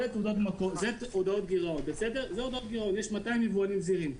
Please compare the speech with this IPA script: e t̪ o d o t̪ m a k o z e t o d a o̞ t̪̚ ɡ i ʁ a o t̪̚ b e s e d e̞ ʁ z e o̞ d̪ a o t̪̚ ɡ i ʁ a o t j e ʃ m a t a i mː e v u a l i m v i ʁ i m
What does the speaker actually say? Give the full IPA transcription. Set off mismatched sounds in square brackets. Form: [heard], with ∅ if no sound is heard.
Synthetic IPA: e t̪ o d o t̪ m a k o z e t o d a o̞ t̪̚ ɡ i ʁ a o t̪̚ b e s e d e̞ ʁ z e o̞ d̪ a o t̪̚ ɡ i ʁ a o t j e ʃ m a t a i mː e v u a l i m [z] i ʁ i m